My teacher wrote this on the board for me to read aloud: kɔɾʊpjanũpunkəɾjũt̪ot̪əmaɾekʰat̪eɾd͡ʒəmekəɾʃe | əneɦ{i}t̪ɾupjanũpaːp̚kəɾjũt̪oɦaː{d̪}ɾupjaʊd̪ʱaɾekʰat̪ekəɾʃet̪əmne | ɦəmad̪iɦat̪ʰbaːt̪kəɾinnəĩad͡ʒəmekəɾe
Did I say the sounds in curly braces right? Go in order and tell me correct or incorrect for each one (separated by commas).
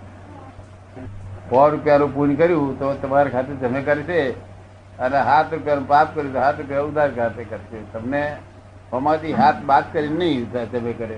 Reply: incorrect, incorrect